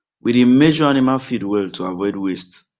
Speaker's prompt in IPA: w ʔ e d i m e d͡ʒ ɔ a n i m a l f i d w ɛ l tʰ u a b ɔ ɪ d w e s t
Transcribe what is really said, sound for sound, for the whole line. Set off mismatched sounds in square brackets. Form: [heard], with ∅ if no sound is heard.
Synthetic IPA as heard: w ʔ [i] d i m e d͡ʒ ɔ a n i m a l f i d w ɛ l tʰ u a [v] ɔ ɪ d w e s t